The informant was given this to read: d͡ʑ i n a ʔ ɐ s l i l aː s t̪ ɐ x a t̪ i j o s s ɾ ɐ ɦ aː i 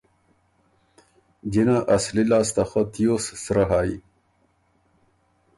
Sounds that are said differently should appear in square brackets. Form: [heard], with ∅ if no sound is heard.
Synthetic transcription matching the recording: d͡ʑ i n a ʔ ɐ s l i l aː s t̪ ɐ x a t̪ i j o s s ɾ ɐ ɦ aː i